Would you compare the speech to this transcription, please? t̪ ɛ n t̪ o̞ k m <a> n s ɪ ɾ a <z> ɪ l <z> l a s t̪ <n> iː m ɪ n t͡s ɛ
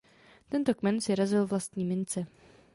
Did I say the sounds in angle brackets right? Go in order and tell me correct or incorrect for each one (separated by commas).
incorrect, correct, incorrect, incorrect